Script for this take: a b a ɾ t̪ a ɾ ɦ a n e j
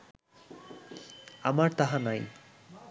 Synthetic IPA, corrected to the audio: a m a ɾ t̪ a ɦ a n a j